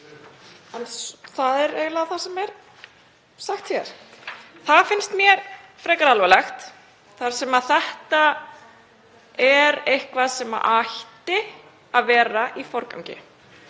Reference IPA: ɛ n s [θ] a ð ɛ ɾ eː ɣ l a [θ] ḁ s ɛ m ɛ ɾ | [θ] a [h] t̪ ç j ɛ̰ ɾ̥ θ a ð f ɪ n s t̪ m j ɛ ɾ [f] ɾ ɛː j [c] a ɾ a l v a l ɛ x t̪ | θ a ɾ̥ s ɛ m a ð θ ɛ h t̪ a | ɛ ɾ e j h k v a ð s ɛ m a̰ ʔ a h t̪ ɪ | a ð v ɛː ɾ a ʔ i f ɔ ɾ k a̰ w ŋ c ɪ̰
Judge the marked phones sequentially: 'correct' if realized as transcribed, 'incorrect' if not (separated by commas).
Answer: correct, correct, incorrect, incorrect, correct, incorrect